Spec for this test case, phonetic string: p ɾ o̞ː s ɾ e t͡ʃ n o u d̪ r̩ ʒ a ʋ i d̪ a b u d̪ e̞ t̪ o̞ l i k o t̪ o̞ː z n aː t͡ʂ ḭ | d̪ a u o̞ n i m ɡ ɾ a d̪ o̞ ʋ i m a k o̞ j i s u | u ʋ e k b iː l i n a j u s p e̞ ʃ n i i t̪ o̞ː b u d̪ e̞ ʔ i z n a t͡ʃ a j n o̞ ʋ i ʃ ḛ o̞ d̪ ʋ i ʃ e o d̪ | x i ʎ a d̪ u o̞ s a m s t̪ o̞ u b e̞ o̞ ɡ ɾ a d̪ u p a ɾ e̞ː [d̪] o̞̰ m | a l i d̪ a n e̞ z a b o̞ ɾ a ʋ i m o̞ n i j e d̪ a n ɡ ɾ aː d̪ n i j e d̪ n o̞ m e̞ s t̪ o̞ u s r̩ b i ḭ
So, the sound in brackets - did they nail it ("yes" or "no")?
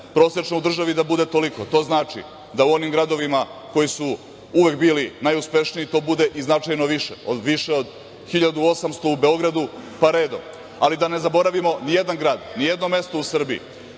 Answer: yes